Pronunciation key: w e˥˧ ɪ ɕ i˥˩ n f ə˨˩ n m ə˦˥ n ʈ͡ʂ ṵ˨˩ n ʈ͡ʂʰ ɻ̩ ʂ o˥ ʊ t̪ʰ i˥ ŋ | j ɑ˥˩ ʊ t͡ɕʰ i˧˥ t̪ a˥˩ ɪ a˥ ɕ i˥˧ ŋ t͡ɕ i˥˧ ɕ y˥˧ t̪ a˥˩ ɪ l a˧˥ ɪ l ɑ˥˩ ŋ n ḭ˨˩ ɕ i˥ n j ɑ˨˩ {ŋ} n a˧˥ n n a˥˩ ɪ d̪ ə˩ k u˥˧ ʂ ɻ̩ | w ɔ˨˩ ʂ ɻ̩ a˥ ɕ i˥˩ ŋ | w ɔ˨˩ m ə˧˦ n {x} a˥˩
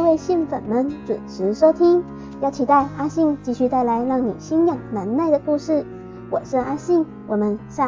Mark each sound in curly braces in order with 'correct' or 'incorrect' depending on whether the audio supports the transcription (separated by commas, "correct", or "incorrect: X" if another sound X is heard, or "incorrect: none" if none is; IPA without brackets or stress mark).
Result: correct, incorrect: ɕ